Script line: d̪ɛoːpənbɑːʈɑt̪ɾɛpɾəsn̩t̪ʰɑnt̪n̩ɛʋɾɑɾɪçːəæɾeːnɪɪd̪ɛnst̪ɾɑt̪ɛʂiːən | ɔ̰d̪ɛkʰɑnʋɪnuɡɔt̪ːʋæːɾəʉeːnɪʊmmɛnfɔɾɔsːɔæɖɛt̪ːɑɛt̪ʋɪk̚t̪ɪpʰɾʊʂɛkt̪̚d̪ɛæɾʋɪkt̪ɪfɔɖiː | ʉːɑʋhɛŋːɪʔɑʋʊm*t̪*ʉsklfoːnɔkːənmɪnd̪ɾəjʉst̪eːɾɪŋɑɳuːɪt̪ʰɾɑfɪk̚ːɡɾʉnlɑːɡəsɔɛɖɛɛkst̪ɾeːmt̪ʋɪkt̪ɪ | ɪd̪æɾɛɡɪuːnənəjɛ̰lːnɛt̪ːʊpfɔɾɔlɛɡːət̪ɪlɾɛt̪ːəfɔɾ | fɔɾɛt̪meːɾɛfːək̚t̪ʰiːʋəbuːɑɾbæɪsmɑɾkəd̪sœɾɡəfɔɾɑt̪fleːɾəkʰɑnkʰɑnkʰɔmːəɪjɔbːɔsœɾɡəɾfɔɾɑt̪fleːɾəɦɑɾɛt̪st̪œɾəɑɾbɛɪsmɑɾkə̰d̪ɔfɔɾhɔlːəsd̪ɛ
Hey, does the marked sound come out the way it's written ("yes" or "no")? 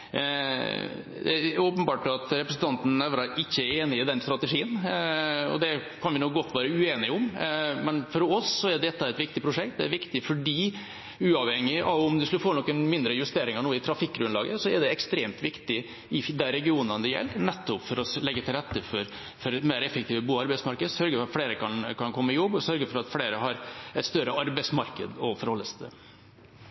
no